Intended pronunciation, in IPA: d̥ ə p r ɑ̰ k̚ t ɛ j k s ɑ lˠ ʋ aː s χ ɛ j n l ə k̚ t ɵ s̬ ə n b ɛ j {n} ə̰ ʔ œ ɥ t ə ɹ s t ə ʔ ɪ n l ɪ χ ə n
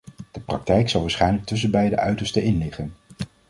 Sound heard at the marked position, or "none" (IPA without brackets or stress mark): d